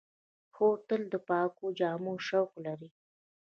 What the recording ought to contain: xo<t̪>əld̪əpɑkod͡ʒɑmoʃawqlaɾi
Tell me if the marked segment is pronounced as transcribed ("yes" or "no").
yes